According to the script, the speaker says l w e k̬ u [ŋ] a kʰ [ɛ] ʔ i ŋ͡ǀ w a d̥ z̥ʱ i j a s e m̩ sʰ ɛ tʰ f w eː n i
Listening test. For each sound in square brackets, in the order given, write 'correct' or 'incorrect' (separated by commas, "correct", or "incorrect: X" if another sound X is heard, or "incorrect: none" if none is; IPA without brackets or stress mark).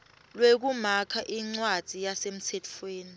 incorrect: m, incorrect: a